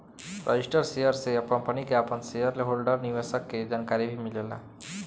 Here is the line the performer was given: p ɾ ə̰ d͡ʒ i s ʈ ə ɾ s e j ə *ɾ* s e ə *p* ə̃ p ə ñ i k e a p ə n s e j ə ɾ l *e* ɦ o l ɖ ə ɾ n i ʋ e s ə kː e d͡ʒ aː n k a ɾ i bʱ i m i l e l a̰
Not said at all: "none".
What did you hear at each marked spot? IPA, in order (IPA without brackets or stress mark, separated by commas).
ɾ, p, e